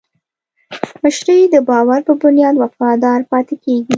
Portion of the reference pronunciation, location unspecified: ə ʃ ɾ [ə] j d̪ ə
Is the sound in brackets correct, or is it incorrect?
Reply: correct